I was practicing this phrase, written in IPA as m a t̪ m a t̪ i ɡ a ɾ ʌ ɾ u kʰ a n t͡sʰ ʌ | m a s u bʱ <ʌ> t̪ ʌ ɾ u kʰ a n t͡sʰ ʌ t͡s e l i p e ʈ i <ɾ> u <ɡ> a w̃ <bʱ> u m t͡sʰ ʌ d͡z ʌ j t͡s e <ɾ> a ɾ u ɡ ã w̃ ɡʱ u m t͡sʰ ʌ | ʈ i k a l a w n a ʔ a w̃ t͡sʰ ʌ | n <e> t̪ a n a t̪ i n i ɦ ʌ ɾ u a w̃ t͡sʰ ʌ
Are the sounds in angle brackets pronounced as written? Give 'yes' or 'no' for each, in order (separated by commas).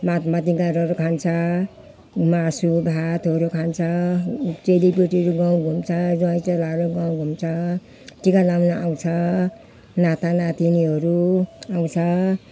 no, yes, yes, no, no, no